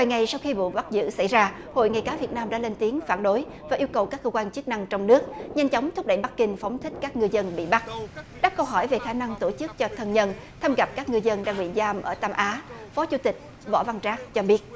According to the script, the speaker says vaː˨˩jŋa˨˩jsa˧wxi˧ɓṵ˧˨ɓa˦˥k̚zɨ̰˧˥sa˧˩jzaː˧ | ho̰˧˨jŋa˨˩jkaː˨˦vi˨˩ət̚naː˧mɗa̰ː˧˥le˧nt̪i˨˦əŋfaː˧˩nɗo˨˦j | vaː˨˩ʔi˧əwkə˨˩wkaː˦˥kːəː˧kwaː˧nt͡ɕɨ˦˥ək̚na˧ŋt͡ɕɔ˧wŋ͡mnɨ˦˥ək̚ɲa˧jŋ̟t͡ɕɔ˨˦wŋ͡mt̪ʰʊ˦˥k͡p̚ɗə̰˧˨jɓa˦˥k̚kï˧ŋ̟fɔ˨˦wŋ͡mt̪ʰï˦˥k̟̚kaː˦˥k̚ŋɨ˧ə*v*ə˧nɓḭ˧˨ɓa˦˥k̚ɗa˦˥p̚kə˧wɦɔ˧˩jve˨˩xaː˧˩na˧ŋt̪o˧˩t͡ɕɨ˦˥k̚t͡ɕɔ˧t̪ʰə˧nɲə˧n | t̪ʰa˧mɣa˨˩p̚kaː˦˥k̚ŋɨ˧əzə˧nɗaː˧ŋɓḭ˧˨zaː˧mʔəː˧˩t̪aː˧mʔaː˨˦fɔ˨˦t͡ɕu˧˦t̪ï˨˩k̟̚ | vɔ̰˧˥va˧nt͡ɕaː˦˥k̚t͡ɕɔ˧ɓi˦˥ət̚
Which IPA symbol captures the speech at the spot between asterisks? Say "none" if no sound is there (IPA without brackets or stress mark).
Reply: z